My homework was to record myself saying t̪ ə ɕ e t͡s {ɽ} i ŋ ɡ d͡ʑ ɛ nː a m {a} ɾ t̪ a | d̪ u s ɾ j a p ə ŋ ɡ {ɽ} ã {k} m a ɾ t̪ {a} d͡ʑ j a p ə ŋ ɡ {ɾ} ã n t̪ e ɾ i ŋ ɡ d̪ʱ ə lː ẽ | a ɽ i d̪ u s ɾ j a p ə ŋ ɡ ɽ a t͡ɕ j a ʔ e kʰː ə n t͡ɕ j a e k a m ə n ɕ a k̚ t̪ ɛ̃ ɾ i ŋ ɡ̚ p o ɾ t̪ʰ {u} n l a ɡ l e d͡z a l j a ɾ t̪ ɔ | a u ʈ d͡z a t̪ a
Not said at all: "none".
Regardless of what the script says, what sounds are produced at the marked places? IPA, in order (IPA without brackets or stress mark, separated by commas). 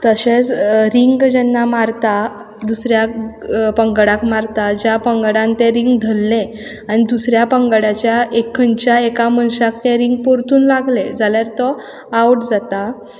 ɾ, a, ɽ, k, a, ɽ, uː